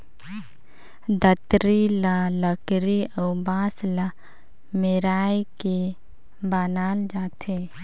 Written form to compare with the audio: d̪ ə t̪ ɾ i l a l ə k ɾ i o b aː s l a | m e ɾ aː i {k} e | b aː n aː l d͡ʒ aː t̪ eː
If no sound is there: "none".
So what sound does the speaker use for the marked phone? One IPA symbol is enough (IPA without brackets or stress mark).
k